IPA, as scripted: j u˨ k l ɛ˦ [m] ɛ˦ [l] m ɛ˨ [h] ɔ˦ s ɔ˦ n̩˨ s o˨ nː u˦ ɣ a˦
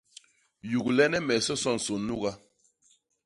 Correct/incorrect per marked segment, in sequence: incorrect: n, incorrect: none, incorrect: s

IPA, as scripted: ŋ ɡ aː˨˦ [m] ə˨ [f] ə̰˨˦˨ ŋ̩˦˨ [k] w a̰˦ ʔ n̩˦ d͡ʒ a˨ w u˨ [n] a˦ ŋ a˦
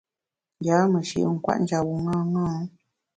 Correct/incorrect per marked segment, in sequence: correct, incorrect: ʃ, correct, incorrect: ŋ

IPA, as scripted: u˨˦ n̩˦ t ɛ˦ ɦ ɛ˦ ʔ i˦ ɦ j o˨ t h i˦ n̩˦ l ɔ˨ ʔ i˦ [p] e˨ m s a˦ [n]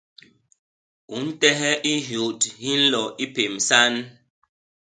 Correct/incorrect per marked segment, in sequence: correct, correct

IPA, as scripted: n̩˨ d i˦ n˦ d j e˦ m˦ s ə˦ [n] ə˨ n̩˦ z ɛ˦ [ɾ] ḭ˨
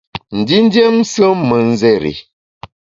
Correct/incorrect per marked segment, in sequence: incorrect: m, correct

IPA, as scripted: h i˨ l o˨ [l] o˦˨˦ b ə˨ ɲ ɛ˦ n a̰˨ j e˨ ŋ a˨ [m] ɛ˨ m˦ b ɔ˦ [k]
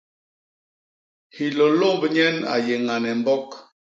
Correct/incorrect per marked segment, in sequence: correct, incorrect: n, correct

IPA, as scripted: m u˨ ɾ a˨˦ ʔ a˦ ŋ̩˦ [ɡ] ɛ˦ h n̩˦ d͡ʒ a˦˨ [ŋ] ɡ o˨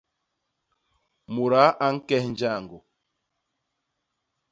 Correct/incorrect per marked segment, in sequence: incorrect: k, correct

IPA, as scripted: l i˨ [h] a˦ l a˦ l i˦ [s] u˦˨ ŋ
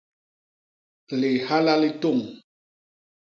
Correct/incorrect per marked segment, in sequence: correct, incorrect: t

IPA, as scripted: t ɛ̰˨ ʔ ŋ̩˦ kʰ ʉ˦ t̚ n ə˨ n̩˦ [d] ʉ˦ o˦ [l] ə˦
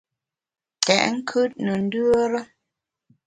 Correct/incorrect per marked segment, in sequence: correct, incorrect: ɾ

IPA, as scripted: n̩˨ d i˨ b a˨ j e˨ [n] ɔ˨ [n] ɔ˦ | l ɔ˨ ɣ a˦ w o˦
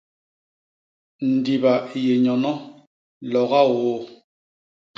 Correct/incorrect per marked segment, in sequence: incorrect: ɲ, correct

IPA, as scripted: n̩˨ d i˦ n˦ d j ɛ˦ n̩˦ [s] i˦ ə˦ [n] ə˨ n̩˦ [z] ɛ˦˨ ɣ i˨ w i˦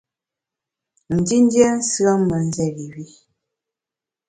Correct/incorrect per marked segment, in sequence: correct, incorrect: m, correct

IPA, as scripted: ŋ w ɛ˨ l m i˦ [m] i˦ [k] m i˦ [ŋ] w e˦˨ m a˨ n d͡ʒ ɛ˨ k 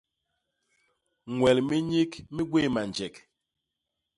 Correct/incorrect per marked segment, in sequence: incorrect: ɲ, correct, incorrect: ɡ

